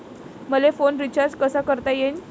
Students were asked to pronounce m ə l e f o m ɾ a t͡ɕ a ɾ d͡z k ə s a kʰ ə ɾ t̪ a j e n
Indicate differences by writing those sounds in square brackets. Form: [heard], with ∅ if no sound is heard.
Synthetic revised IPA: m ə l e f o [n] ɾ [i] t͡ɕ a ɾ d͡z k ə s a [k] ə ɾ t̪ a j e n